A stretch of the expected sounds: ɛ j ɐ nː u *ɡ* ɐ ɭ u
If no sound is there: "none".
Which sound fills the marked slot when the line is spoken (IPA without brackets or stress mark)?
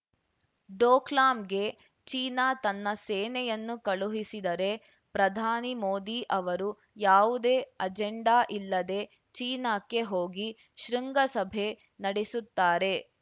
k